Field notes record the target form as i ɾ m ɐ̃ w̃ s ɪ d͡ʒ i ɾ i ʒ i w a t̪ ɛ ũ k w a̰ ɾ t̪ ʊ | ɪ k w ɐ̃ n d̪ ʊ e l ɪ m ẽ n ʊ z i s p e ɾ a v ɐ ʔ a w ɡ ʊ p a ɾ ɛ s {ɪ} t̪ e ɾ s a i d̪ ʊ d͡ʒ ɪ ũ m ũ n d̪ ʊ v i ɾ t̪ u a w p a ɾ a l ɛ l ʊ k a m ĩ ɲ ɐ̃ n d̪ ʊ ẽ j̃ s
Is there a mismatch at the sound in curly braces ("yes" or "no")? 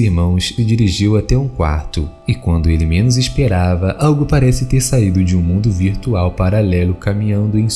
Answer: no